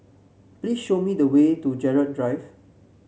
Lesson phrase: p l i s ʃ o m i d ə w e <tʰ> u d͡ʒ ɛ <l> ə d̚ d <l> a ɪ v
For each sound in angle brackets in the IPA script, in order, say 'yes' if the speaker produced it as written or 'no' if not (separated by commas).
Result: no, no, no